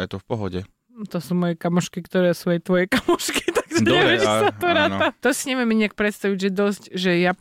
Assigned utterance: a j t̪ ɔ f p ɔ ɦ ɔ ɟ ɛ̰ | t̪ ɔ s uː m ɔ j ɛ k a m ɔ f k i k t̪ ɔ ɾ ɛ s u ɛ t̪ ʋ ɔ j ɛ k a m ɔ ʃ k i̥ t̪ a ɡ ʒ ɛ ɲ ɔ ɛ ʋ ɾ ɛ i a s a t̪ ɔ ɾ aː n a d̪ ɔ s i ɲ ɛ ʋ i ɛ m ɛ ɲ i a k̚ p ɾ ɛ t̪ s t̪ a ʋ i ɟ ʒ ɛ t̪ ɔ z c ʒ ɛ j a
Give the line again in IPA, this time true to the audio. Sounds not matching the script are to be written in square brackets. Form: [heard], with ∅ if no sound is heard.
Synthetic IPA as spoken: a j t̪ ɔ f p ɔ ɦ ɔ ɟ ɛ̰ | t̪ ɔ s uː m ɔ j ɛ k a m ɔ [ʃ] k i k t̪ ɔ ɾ ɛ s u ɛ t̪ ʋ ɔ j ɛ k a m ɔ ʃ k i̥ t̪ a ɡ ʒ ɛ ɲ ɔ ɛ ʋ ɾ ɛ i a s a t̪ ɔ ɾ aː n a [t̪] ɔ s i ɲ ɛ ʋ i ɛ m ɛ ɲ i a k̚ p ɾ ɛ t̪ s t̪ a ʋ i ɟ ʒ ɛ [d̪] ɔ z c ʒ ɛ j a